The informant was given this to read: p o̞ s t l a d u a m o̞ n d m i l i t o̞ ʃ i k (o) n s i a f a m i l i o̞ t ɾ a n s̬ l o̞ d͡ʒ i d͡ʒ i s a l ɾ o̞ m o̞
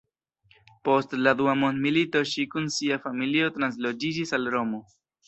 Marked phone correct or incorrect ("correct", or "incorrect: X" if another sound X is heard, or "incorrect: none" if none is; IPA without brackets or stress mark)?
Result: incorrect: u